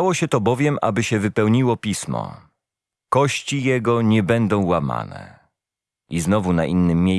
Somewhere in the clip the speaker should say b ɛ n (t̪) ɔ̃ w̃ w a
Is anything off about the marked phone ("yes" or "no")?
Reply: yes